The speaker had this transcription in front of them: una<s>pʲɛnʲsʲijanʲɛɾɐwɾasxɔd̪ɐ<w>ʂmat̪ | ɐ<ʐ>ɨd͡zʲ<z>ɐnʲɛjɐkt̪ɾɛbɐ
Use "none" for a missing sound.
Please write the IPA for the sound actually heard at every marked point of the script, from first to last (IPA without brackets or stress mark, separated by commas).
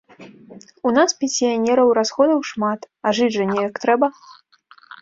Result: s, w, ʐ, ʐ